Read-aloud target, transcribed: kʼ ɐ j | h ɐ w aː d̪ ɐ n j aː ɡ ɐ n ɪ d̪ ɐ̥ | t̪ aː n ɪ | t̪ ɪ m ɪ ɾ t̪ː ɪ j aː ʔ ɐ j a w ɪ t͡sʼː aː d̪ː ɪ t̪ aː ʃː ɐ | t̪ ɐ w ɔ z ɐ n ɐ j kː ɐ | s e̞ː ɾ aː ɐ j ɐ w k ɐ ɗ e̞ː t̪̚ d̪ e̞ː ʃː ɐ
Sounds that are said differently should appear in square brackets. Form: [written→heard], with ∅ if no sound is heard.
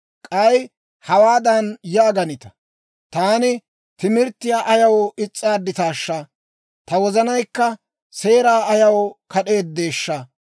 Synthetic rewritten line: kʼ ɐ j | h ɐ w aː d̪ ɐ n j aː ɡ ɐ n ɪ [d̪→t̪] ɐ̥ | t̪ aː n ɪ | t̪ ɪ m ɪ ɾ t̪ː ɪ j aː ʔ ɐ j [a→ɐ] w ɪ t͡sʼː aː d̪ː ɪ t̪ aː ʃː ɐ | t̪ ɐ w ɔ z ɐ n ɐ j kː ɐ | s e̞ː ɾ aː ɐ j ɐ w k ɐ ɗ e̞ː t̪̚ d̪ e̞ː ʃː ɐ

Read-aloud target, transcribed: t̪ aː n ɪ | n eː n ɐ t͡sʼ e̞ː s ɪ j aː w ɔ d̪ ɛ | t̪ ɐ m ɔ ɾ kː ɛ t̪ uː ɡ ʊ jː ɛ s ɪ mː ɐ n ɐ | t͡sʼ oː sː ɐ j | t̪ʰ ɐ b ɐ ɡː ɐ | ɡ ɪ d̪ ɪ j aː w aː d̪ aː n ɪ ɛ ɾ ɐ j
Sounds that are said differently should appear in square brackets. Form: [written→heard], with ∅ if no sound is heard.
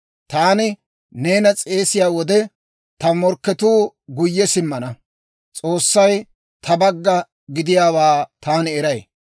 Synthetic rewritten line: t̪ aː n ɪ | n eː n ɐ t͡sʼ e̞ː s ɪ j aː w ɔ d̪ ɛ | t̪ ɐ m ɔ ɾ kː ɛ t̪ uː ɡ ʊ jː ɛ s ɪ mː ɐ n ɐ | t͡sʼ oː sː ɐ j | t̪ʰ ɐ b ɐ ɡː ɐ | ɡ ɪ d̪ ɪ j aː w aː [d̪→t̪] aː n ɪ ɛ ɾ ɐ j

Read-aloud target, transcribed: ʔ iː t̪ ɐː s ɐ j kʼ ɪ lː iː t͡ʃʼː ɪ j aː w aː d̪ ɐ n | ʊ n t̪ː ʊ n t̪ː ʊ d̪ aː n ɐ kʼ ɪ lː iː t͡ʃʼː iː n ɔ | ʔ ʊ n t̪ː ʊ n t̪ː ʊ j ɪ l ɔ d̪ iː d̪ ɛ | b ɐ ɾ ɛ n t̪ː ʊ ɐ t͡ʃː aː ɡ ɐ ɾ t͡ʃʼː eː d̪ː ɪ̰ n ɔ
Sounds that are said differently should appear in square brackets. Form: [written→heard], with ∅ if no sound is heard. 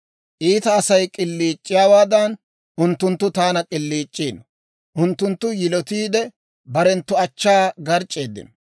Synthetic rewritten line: ʔ iː t̪ ɐː s ɐ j kʼ ɪ lː iː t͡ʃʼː ɪ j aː w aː d̪ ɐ n | ʊ n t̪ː ʊ n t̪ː ʊ [d̪→t̪] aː n ɐ kʼ ɪ lː iː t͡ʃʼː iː n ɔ | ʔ ʊ n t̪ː ʊ n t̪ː ʊ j ɪ l ɔ [d̪→t̪] iː d̪ ɛ | b ɐ ɾ ɛ n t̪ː ʊ ɐ t͡ʃː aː ɡ ɐ ɾ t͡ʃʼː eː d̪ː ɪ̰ n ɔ

